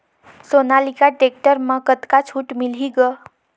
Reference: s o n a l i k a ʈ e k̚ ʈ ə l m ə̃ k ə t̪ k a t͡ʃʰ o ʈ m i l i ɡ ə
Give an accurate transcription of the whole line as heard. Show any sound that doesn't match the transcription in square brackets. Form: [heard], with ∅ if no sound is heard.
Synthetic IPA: s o n a l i k a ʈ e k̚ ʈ ə [ɾ] m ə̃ k ə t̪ k a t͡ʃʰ [u] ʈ m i l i ɡ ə